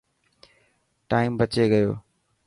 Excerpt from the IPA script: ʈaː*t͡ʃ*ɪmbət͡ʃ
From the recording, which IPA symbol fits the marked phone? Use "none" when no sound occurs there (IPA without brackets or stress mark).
none